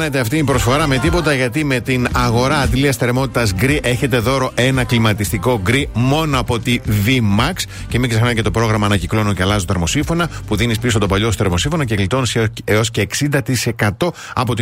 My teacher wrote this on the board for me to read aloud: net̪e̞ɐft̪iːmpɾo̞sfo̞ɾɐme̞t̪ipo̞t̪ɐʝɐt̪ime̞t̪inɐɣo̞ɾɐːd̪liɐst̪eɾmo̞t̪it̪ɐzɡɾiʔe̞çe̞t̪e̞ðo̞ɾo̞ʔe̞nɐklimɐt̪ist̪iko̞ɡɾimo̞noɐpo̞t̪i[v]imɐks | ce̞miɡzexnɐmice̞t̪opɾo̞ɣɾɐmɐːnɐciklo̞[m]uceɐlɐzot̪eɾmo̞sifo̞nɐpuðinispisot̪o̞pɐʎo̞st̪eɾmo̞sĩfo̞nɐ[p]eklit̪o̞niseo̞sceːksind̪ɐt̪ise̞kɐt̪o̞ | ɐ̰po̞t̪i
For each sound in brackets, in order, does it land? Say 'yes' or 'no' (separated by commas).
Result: yes, no, no